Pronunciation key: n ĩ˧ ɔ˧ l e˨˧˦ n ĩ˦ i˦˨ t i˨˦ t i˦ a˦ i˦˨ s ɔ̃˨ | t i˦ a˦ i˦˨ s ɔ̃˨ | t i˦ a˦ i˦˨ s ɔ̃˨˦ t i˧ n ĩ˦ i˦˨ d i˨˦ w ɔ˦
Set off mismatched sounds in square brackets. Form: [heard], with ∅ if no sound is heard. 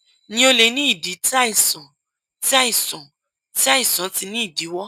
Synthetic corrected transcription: n ĩ˧ [o˧] l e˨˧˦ n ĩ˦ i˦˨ [d] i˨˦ t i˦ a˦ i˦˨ s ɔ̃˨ | t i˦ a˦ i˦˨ s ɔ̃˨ | t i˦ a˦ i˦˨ s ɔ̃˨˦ t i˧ n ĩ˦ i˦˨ d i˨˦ w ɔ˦